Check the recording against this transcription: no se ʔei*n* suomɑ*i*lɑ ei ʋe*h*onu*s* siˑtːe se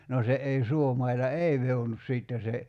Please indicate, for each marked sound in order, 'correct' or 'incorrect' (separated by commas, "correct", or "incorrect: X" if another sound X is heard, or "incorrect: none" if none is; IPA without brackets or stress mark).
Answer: incorrect: none, correct, correct, correct